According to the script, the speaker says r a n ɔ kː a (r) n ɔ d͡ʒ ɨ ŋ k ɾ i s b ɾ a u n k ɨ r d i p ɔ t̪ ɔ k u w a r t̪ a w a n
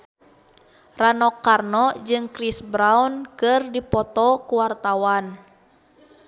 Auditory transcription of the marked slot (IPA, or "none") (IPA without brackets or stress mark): r